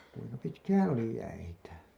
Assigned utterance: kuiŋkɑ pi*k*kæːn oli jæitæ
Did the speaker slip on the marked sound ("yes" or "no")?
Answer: yes